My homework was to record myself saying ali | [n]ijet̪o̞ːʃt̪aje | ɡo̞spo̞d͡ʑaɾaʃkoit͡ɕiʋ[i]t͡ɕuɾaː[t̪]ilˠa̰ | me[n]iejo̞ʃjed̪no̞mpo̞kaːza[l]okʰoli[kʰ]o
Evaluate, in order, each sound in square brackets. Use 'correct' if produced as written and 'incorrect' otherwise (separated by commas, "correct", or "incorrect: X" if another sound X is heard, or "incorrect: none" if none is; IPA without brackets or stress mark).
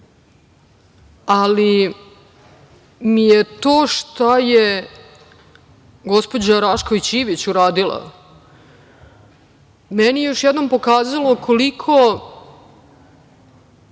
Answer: incorrect: m, correct, incorrect: d̪, correct, correct, correct